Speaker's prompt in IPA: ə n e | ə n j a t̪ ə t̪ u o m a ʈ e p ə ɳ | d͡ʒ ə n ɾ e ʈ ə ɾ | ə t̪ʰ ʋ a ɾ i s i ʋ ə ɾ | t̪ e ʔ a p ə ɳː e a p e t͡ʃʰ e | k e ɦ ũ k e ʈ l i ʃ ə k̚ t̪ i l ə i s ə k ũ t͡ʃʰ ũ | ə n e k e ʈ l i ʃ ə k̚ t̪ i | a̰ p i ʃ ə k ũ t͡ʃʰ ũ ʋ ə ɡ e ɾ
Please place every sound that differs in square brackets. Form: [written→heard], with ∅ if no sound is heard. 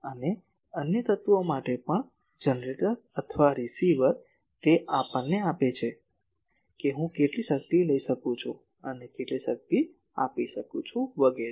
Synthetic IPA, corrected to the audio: ə n e | ə n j [a→ə] t̪ ə t̪ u o m a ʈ e p ə ɳ | d͡ʒ ə n ɾ e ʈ ə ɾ | ə t̪ʰ ʋ a ɾ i s i ʋ ə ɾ | t̪ e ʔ a p ə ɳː e a p e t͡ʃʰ e | k e ɦ ũ k e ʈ l i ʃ ə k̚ t̪ i l ə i [s→ʃ] ə k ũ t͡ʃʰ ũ | ə n e k e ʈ l i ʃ ə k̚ t̪ i | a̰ p i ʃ ə k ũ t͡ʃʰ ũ ʋ ə ɡ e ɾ